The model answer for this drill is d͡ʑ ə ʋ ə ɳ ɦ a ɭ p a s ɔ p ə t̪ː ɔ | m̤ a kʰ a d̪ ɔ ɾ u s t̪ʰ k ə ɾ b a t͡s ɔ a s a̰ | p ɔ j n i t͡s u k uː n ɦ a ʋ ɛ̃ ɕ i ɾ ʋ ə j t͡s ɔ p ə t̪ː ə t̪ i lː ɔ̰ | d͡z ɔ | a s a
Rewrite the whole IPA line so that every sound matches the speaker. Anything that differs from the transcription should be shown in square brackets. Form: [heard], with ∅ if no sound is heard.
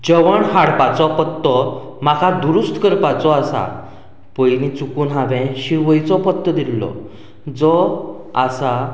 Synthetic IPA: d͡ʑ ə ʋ ə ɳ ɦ a [ɽ] p a [t͡s] ɔ p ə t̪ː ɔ | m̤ a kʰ a d̪ [u] ɾ u s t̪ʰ k ə ɾ [p] a t͡s ɔ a s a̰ | p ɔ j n i t͡s u k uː n ɦ a ʋ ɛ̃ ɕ i ɾ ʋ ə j t͡s ɔ p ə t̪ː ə [d̪] i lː ɔ̰ | d͡z ɔ | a s a